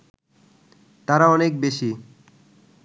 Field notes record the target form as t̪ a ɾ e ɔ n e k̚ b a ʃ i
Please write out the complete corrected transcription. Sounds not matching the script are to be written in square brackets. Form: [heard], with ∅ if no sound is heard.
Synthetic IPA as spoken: t̪ a ɾ [a] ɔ n e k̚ b [e] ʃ i

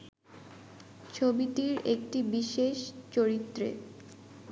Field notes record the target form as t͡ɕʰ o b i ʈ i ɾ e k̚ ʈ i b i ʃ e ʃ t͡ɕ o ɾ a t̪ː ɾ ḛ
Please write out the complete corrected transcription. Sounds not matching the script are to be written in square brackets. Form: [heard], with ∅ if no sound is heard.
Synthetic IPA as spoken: t͡ɕʰ o b i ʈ i ɾ e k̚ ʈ i b i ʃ e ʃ t͡ɕ o ɾ [i] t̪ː ɾ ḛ

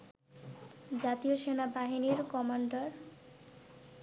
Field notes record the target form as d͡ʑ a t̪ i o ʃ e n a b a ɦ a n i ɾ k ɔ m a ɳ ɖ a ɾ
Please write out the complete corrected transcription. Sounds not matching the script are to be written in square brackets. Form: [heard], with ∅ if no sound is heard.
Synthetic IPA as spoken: d͡ʑ a t̪ i o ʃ e n a b a ɦ [i] n i ɾ k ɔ m a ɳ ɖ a ɾ

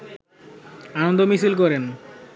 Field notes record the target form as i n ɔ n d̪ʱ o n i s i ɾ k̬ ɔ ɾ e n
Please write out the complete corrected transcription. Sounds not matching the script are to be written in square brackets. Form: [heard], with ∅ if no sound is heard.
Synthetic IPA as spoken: [a] n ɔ n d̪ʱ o [m] i s i [l] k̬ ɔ ɾ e n

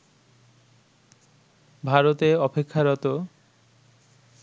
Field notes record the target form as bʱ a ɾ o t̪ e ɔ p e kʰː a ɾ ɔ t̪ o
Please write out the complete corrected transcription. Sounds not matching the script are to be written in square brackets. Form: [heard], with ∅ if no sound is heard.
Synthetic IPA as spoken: bʱ a ɾ o t̪ e ɔ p e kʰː a ɾ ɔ t̪ o

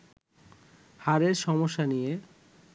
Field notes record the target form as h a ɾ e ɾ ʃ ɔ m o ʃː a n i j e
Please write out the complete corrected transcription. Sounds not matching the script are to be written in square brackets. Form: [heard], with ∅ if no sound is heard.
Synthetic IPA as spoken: h a ɾ e ɾ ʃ ɔ m o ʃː a n i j e

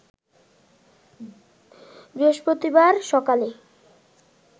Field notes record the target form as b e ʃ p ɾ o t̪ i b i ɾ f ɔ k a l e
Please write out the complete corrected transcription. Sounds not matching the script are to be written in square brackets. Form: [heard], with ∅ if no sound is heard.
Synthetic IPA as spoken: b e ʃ p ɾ o t̪ i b [a] ɾ [ʃ] ɔ k a l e

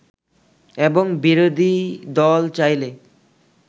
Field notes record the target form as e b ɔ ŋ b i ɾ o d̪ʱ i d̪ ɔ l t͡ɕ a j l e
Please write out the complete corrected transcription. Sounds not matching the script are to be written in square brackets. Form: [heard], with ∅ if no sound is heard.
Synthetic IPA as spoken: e b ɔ ŋ b i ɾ o d̪ʱ i d̪ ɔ l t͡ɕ a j l e

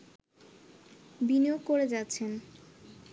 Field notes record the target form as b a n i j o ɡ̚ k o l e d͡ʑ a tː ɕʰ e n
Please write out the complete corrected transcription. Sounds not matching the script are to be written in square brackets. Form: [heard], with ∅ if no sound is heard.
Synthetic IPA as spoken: b [i] n i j o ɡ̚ k o [ɾ] e d͡ʑ a tː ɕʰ e n

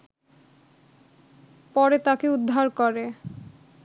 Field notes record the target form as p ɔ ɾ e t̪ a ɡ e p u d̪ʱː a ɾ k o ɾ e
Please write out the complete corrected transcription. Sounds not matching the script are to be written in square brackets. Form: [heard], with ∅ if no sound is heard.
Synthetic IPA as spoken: p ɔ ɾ e t̪ a [k] e [∅] u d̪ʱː a ɾ k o ɾ e

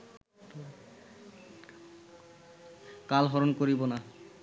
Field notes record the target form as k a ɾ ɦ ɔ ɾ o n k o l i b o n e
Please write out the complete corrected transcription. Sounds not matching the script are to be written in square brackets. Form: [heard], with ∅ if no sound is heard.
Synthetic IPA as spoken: k a [l] ɦ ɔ ɾ o n k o [ɾ] i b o n [a]

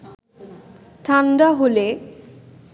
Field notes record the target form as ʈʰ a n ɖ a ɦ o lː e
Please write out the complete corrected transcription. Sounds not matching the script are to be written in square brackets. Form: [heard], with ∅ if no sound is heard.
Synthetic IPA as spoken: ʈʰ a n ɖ a ɦ o [l] e

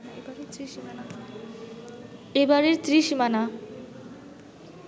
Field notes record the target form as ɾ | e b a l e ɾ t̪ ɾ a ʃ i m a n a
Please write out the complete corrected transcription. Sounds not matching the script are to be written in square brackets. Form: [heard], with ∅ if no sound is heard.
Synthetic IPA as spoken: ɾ | e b a [ɾ] e ɾ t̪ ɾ [i] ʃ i m a n a

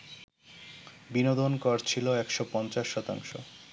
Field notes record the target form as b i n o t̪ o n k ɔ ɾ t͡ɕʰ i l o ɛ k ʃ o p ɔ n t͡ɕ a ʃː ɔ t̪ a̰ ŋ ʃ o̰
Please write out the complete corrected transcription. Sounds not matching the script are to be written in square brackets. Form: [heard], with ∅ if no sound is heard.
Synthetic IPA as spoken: b i n o [d̪] o n k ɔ ɾ t͡ɕʰ i l o ɛ k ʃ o p ɔ n t͡ɕ a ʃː ɔ t̪ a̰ ŋ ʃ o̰

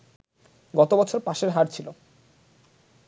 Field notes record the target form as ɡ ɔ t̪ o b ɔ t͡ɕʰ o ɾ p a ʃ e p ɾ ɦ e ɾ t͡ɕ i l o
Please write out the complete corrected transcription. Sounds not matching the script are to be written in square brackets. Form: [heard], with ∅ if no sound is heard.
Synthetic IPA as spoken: ɡ ɔ t̪ o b ɔ t͡ɕʰ o ɾ p a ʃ e [∅] ɾ ɦ [a] ɾ [t͡ɕʰ] i l o

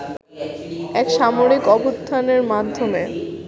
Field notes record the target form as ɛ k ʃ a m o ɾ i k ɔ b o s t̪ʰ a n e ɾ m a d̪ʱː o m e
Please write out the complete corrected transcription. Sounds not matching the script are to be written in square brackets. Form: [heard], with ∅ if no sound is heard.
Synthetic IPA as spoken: ɛ k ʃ a m o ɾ i k ɔ b o s t̪ʰ a n e ɾ m a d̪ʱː o m e

